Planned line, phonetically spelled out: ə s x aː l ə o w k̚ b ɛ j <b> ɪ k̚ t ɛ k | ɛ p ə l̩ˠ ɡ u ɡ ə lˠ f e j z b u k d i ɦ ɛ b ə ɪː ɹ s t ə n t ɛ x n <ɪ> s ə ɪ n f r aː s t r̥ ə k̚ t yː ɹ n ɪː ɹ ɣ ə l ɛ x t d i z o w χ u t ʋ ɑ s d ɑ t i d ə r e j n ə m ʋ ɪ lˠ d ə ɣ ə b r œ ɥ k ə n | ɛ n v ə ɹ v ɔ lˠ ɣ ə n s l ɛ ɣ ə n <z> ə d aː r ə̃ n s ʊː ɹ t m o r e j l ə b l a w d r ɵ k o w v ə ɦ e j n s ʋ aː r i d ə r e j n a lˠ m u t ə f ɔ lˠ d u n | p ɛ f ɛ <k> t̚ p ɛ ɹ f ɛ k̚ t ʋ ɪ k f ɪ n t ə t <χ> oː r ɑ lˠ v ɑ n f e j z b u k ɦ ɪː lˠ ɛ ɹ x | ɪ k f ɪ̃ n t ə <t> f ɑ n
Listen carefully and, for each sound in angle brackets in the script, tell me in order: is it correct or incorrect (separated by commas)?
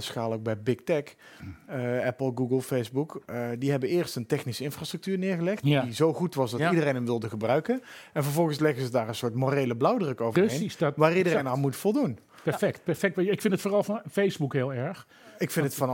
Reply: correct, incorrect, correct, correct, incorrect, correct